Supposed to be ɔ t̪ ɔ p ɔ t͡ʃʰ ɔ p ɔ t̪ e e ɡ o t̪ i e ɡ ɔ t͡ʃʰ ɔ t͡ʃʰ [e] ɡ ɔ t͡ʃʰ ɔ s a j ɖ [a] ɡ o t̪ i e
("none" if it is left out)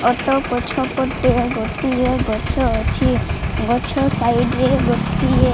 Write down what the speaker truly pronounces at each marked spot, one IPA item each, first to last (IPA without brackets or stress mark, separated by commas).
i, e